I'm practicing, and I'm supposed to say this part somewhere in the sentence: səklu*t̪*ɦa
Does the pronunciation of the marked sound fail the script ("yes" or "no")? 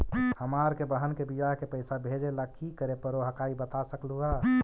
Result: yes